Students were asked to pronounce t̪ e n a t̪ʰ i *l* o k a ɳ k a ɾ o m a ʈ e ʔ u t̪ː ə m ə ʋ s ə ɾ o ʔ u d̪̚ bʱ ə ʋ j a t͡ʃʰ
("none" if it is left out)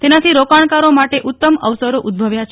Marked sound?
ɾ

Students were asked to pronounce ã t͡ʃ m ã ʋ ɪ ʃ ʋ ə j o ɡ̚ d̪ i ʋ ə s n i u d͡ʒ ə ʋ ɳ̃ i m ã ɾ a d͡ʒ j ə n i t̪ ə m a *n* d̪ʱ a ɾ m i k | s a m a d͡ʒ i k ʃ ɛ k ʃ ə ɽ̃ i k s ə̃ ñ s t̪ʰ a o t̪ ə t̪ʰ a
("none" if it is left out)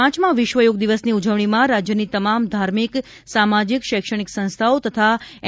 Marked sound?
m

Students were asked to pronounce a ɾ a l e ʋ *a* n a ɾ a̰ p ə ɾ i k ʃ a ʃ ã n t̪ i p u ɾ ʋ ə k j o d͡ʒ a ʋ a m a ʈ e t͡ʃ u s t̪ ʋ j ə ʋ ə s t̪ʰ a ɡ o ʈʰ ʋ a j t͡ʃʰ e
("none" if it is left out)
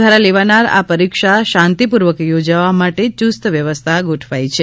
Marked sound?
a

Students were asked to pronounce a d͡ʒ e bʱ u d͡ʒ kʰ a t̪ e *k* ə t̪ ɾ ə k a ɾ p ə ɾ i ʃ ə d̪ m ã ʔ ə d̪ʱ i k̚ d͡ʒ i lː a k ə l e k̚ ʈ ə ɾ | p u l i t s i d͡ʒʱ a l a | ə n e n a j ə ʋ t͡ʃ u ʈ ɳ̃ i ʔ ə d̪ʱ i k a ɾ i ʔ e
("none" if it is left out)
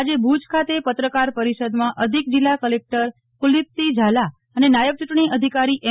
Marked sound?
p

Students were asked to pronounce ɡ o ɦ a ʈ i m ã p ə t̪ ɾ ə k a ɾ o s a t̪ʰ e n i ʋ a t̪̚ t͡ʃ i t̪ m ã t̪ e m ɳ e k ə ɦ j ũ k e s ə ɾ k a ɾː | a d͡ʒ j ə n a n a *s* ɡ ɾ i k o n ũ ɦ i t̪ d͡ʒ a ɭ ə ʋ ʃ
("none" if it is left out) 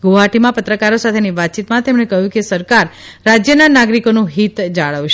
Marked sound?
none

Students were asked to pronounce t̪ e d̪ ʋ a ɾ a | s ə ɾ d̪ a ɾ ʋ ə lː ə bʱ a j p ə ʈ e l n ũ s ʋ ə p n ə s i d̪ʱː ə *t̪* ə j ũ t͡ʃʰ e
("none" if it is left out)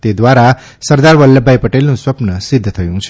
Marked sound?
t̪ʰ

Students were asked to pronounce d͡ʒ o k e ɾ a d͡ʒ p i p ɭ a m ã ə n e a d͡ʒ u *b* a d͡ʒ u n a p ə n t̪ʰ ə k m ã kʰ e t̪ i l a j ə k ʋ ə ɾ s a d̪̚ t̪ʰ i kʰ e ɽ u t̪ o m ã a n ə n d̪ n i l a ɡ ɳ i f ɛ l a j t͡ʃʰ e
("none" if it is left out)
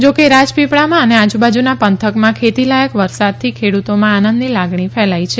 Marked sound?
b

